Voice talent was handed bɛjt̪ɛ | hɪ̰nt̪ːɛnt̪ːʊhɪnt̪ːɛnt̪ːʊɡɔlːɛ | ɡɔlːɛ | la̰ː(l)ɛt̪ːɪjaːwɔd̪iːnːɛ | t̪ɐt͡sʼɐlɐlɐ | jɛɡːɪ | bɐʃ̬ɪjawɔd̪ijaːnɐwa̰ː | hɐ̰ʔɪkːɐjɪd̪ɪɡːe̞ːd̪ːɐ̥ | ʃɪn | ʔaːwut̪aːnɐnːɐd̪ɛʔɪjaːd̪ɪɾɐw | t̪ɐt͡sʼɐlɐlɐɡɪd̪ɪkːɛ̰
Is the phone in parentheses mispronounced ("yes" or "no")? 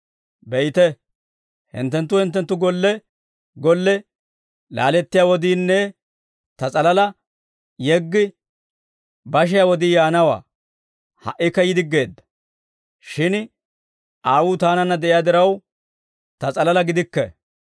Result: no